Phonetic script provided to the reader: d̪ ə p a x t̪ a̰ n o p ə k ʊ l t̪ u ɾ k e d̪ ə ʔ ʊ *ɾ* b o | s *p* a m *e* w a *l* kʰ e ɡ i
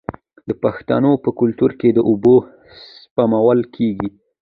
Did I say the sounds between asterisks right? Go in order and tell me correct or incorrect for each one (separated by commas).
incorrect, correct, incorrect, correct